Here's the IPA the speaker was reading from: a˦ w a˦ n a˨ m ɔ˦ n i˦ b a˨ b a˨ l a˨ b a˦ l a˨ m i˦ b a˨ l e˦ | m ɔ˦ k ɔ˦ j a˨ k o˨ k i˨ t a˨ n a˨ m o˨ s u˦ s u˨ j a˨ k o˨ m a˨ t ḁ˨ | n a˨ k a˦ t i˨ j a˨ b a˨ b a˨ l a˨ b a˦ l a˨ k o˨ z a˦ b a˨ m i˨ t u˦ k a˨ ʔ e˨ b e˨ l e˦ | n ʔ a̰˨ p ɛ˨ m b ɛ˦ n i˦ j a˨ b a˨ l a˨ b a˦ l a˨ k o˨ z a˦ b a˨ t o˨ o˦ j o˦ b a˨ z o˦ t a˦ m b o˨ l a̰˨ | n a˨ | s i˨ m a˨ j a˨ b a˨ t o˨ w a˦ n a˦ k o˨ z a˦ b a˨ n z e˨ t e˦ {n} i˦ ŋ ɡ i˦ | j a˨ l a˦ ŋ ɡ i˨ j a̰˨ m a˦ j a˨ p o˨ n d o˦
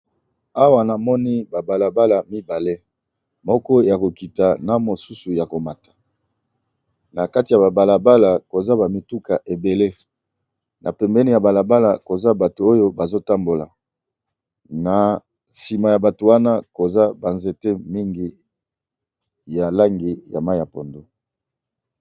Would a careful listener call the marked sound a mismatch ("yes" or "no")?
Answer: yes